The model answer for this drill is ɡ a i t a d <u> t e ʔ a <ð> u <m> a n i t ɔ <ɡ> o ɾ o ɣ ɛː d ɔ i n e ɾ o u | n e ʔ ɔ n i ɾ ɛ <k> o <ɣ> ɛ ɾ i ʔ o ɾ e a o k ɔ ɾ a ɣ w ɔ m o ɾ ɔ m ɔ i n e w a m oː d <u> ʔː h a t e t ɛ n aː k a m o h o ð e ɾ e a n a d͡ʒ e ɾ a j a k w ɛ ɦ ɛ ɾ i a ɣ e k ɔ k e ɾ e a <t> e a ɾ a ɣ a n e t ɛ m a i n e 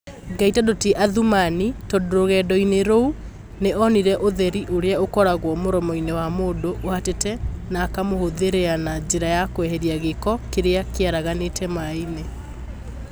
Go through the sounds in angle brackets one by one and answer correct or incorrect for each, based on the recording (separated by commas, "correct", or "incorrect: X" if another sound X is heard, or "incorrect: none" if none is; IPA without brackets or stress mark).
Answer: incorrect: o, correct, correct, incorrect: d, incorrect: ʔ, incorrect: ð, incorrect: o, incorrect: k